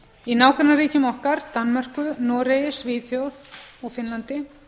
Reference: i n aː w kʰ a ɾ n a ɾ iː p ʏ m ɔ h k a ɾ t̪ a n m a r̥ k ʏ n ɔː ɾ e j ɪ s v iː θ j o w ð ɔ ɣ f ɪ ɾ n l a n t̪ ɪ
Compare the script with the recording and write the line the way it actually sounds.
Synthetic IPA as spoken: i n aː w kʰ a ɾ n a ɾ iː c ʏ m ɔ h k a ɾ t̪ a n m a r̥ k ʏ n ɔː ɾ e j ɪ s v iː θ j o w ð ɔ ɣ f ɪ n l a n t̪ ɪ